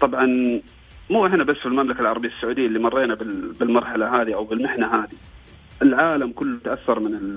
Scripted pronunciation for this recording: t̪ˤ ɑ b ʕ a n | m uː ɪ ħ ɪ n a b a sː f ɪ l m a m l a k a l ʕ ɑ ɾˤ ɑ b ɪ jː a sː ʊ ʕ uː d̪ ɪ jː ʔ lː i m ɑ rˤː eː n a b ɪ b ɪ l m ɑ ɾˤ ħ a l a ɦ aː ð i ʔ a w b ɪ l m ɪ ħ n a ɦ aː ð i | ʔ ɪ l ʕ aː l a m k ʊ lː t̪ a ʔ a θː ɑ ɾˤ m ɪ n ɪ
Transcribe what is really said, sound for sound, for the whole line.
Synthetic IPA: t̪ˤ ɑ b ʕ ɑ n | m uː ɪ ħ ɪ n a b a sː f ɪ l m a m l a k a l ʕ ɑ ɾˤ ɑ b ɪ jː a sː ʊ ʕ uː d̪ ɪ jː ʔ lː i m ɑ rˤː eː n a b ɪ b ɪ l m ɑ ɾˤ ħ a l a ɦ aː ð i ʔ a w b ɪ l m ɪ ħ n a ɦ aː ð i | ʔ ɪ l ʕ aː l a m k ʊ lː t̪ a ʔ a θː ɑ ɾˤ m ɪ n ɪ